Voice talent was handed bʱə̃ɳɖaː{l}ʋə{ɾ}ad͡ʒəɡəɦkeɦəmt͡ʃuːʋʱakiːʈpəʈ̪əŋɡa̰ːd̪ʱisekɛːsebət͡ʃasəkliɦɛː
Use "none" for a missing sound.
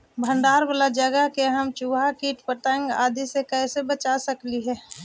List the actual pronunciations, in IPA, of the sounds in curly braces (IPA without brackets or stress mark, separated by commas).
ɾ, l